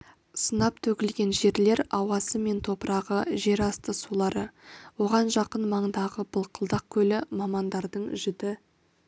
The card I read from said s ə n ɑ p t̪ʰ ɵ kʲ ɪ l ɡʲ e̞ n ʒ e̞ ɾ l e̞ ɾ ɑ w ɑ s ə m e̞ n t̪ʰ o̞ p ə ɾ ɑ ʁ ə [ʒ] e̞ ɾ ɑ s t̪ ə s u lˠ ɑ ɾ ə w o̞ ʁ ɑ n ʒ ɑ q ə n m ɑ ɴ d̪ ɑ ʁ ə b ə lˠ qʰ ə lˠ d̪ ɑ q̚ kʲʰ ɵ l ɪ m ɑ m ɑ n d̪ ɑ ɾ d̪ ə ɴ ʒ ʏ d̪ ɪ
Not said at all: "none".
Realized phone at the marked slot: ʒ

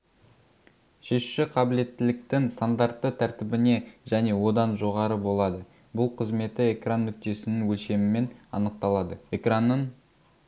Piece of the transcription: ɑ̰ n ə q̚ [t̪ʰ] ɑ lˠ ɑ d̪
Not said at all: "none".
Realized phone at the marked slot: t̪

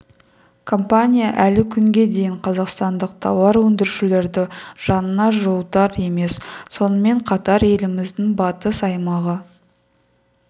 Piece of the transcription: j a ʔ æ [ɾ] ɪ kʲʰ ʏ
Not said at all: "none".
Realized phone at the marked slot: l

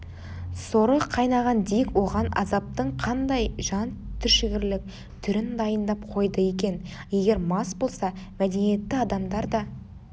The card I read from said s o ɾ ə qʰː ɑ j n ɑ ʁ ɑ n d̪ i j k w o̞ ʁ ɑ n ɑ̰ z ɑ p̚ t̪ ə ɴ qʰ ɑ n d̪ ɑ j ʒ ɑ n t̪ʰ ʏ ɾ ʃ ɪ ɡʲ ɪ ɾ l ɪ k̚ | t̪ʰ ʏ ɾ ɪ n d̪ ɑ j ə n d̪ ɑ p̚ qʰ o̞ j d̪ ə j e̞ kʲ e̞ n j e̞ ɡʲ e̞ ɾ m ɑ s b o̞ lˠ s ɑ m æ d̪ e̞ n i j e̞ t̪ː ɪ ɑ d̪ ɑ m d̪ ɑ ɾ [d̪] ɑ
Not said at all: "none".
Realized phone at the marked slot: d̪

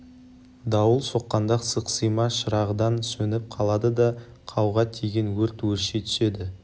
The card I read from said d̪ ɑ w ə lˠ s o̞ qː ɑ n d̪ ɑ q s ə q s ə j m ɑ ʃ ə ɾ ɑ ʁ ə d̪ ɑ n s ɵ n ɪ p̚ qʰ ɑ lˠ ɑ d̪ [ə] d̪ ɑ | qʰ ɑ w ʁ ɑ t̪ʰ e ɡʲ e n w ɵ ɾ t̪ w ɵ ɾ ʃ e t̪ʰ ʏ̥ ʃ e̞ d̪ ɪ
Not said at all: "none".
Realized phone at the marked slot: ə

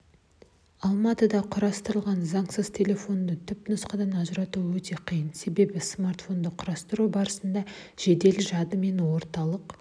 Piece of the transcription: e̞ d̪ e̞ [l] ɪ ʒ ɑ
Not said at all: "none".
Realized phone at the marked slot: l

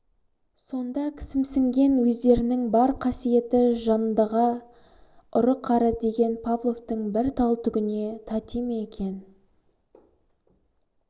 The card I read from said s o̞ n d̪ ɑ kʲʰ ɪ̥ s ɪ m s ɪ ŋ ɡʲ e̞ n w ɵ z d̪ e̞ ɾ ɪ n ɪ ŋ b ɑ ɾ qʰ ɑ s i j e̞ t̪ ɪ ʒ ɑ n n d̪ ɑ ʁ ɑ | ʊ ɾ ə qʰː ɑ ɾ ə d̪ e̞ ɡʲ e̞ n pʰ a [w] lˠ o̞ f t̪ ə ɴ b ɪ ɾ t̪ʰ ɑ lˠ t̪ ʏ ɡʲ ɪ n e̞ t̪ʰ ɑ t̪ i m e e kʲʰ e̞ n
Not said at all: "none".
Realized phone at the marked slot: v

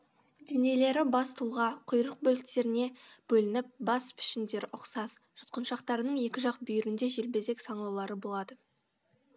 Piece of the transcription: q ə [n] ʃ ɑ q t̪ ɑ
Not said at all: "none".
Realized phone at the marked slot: n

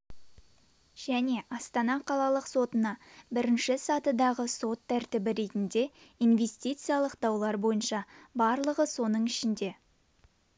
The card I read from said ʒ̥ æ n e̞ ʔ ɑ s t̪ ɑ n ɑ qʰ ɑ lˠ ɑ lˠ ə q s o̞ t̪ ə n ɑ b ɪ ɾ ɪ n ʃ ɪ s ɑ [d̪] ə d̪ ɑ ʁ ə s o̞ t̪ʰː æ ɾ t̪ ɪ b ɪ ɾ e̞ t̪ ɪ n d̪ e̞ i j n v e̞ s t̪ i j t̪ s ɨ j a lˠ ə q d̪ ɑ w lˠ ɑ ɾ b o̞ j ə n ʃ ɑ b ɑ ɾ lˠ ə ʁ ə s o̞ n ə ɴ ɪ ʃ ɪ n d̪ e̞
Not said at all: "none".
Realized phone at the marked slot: t̪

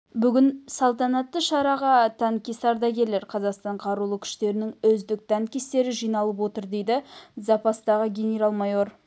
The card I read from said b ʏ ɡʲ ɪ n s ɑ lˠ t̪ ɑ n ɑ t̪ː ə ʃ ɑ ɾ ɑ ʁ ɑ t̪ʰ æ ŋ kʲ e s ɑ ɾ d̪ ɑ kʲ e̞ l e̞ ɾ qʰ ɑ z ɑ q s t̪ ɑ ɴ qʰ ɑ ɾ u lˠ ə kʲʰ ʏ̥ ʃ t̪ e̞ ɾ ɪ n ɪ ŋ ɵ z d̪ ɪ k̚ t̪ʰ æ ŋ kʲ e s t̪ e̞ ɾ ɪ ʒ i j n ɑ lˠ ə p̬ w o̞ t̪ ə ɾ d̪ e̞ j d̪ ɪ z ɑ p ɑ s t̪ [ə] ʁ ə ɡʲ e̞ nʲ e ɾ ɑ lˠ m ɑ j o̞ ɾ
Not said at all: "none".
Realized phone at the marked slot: ɑ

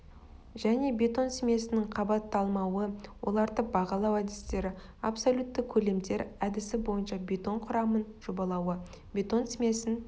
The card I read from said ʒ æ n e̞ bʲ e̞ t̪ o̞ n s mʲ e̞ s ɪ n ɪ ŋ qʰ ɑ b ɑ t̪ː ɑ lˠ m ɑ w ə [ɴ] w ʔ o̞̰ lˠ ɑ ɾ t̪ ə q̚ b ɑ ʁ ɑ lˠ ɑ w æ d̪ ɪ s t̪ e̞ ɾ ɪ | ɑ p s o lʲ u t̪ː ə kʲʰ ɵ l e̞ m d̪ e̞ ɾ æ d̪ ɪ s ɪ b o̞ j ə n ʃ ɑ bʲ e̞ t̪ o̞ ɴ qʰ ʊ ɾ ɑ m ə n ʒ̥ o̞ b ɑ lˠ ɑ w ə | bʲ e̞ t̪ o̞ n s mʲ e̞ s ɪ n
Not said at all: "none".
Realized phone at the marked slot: none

